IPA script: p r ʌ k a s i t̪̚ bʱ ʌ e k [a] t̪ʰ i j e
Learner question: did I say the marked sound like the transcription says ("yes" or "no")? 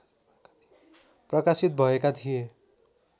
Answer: yes